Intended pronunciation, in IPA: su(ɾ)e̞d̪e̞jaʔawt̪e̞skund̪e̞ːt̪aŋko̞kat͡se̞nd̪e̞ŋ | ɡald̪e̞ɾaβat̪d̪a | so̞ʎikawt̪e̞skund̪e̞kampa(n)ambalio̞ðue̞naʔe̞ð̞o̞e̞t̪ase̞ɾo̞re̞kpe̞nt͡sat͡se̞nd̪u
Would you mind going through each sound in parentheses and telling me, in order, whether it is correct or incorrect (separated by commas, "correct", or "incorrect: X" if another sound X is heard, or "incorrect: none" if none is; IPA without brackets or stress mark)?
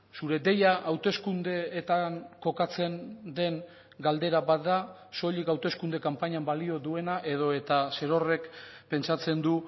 correct, incorrect: ɲ